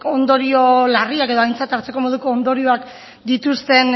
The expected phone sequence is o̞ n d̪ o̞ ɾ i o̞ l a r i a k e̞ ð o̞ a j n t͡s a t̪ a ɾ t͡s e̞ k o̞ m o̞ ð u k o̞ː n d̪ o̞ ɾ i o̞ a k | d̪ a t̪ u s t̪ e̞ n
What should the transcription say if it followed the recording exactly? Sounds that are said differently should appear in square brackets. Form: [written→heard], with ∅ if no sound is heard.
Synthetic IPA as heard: o̞ n d̪ o̞ ɾ i o̞ l a r i a k e̞ ð o̞ a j n t͡s a t̪ a ɾ t͡s e̞ k o̞ m o̞ ð u k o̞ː n d̪ o̞ ɾ i o̞ a k | d̪ [a→i] t̪ u s t̪ e̞ n